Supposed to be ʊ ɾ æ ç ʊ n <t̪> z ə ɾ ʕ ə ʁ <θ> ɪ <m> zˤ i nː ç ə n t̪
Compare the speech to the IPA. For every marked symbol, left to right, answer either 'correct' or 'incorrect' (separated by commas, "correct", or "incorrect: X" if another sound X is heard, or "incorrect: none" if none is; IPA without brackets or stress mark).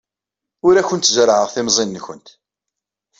correct, correct, correct